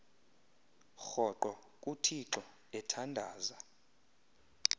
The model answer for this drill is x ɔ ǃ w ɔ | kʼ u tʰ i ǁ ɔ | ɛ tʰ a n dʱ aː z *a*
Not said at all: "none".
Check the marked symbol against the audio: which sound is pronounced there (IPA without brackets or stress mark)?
a